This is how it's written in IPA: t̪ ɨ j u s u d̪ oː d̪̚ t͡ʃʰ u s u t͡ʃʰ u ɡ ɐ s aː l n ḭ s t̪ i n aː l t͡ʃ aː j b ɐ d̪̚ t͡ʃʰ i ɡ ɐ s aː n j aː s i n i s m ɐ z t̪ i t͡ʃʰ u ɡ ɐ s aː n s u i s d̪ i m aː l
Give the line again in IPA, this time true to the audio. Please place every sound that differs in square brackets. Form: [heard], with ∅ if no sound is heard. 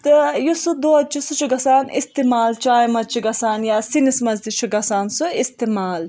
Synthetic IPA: t̪ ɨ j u s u d̪ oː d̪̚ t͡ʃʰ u s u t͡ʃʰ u ɡ ɐ s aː [∅] n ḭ s t̪ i [m] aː l t͡ʃ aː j [m] ɐ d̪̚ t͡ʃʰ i ɡ ɐ s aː n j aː s i n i s m ɐ z [d̪] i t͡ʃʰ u ɡ ɐ s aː n s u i s [t̪] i m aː l